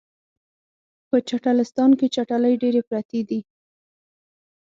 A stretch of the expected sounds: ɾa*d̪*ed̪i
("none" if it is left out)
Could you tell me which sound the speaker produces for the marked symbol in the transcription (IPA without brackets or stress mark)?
t̪